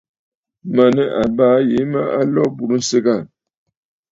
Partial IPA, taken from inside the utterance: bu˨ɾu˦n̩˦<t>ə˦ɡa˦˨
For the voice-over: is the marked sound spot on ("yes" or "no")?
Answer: no